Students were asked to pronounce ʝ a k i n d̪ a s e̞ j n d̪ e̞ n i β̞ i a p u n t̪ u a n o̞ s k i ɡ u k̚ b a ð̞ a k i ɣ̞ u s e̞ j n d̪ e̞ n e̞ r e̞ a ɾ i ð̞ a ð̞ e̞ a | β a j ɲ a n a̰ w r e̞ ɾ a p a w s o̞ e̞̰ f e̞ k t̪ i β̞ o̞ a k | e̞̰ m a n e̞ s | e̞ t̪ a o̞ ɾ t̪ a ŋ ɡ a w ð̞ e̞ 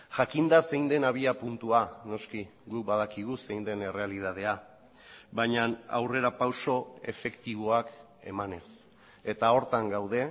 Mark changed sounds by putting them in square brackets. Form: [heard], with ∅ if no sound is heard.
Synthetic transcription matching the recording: ʝ a k i n d̪ a s e̞ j n d̪ e̞ n [a] β̞ i a p u n t̪ u a n o̞ s k i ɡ u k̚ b a ð̞ a k i ɣ̞ u s e̞ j n d̪ e̞ n e̞ r e̞ a [l] i ð̞ a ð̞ e̞ a | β a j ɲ a n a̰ w r e̞ ɾ a p a w s o̞ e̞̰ f e̞ k t̪ i β̞ o̞ a k | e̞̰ m a n e̞ s | e̞ t̪ a o̞ ɾ t̪ a ŋ ɡ a w ð̞ e̞